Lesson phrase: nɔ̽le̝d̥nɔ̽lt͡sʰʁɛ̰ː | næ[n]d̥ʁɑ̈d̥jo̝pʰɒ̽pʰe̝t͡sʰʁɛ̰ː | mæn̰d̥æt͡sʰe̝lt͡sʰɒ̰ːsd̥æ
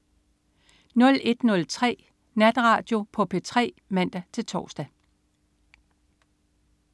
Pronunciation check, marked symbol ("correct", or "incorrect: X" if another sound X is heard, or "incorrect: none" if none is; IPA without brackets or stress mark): incorrect: none